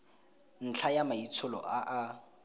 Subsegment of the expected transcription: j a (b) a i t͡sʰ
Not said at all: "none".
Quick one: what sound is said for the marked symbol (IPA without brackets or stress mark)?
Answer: m